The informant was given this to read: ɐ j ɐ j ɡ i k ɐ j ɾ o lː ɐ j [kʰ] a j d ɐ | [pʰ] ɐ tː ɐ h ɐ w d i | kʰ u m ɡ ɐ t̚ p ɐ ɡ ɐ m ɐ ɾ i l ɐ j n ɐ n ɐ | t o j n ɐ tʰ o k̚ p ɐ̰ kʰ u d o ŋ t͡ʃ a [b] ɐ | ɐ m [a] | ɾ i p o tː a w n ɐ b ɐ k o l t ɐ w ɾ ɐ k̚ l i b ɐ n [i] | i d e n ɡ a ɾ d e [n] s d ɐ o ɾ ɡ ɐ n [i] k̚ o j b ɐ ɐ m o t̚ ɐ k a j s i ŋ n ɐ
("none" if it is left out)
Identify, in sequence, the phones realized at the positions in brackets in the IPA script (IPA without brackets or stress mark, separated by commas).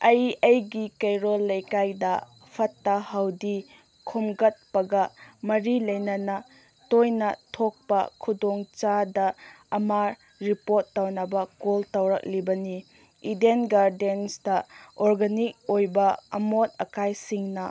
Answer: k, pʰ, d, a, i, n, i